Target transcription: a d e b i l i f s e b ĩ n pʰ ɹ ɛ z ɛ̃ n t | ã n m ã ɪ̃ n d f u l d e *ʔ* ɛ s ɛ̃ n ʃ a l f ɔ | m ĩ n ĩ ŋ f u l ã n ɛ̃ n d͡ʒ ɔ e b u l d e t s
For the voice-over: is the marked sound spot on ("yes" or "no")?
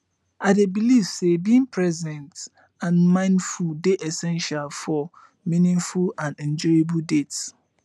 yes